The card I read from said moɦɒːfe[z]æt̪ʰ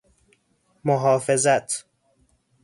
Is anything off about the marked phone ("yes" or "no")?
no